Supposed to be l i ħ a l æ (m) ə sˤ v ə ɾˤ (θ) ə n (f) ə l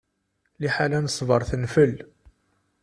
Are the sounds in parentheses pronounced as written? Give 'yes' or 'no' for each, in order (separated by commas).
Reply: no, yes, yes